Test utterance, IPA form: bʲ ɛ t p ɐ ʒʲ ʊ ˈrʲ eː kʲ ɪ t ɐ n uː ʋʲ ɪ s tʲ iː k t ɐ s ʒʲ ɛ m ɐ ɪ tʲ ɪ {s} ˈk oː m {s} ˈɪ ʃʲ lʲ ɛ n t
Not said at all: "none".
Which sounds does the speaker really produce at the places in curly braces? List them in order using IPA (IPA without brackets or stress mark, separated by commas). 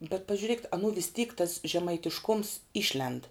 ʃ, s